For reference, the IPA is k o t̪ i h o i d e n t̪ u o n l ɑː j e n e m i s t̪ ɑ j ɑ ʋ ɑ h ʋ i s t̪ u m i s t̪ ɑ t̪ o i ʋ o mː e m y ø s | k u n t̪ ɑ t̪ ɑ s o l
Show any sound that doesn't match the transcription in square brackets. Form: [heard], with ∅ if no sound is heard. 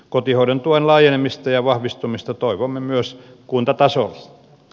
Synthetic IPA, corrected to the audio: k o t̪ i h o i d e n t̪ u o n l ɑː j e n e m i s t̪ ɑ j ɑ ʋ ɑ h ʋ i s t̪ u m i s t̪ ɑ t̪ o i ʋ o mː e m y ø s | k u n t̪ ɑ t̪ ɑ s o l